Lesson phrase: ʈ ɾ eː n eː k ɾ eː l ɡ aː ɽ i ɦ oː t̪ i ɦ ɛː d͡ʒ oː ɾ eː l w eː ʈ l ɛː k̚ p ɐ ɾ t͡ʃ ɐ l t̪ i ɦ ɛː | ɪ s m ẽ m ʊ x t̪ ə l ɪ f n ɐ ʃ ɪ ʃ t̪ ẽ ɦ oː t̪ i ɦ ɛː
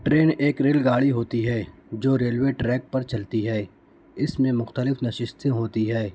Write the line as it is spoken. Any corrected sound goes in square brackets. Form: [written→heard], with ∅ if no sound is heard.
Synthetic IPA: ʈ ɾ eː n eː k ɾ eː l ɡ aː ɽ i ɦ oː t̪ i ɦ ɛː d͡ʒ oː ɾ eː l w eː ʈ [l→ɾ] ɛː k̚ p ɐ ɾ t͡ʃ ɐ l t̪ i ɦ ɛː | ɪ s m ẽ m ʊ x t̪ ə l ɪ f n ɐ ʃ ɪ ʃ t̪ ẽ ɦ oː t̪ i ɦ ɛː